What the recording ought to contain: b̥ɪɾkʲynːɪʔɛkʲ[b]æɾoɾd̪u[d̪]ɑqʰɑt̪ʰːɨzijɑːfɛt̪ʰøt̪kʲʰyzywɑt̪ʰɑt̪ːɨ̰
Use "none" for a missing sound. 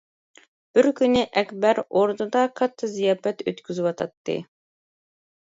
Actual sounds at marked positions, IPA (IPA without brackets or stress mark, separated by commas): b, d̪